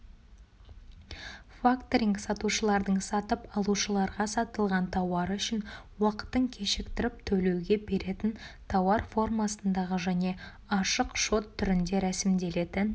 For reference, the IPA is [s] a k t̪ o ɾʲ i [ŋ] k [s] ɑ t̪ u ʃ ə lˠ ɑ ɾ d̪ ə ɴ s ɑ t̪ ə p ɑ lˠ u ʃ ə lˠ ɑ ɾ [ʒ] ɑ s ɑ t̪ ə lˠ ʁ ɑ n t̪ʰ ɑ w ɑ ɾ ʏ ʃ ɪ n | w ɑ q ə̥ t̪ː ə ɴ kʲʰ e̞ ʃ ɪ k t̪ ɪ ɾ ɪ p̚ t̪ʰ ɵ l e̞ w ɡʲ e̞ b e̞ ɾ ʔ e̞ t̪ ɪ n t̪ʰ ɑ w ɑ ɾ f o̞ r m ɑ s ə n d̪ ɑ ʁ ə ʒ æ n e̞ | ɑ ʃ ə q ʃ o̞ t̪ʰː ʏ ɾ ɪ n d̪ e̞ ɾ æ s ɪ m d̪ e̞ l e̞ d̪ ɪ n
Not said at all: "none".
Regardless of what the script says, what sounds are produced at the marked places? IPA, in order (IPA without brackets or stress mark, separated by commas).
f, ŋ, s, ʁ